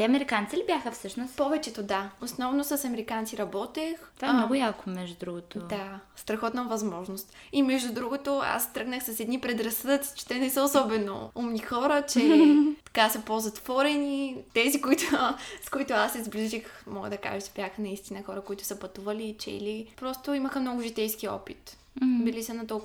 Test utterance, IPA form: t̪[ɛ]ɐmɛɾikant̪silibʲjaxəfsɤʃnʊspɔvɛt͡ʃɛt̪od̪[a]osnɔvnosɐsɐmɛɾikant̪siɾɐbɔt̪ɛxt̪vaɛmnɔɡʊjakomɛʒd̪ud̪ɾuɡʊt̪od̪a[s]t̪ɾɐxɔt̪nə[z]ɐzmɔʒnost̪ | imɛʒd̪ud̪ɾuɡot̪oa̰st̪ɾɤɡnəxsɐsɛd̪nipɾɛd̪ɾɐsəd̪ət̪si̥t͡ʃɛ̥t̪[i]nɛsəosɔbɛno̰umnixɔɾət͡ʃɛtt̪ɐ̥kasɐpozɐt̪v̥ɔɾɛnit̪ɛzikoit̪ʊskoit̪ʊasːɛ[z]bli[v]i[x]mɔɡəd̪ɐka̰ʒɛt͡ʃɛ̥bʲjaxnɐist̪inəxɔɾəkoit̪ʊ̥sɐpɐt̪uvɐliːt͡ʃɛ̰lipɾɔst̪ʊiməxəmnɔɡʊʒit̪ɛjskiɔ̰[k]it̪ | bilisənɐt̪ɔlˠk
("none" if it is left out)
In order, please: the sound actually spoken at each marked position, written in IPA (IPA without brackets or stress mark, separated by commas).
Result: ɛ, a, s, v, ɛ, z, ʒ, x, p